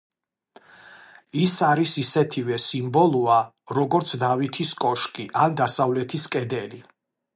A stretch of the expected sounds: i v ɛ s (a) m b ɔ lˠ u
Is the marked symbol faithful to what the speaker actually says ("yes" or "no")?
no